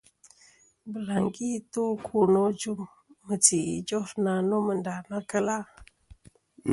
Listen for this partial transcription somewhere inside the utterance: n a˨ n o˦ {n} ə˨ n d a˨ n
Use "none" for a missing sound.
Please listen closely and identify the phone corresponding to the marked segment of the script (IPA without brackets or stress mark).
m